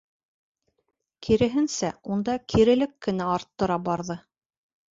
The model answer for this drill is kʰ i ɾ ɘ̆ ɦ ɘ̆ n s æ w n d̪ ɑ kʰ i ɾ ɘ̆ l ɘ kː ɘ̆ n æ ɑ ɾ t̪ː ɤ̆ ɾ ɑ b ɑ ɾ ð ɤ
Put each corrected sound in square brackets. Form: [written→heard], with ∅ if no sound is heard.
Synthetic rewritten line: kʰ i ɾ ɘ̆ ɦ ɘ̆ n s æ [w→u] n d̪ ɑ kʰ i ɾ ɘ̆ l ɘ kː ɘ̆ n æ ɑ ɾ t̪ː ɤ̆ ɾ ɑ b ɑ ɾ ð ɤ